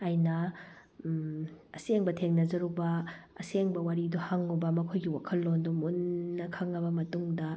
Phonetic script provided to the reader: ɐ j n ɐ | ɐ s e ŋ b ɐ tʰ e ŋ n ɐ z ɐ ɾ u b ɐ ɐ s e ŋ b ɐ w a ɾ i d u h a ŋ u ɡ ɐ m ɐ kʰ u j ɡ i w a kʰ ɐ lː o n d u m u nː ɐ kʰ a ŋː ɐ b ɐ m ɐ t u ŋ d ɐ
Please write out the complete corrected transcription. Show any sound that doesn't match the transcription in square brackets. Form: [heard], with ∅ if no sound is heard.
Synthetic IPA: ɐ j n ɐ | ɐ s e ŋ b ɐ tʰ e ŋ n ɐ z ɐ ɾ u b ɐ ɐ s e ŋ b ɐ w a ɾ i d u h a ŋ u [b] ɐ m ɐ kʰ [o] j ɡ i w a kʰ ɐ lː o n d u m u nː ɐ kʰ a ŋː ɐ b ɐ m ɐ t u ŋ d ɐ